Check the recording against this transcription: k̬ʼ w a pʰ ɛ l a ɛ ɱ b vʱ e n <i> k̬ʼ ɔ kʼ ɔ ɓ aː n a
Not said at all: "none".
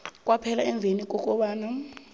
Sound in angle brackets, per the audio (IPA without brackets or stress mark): i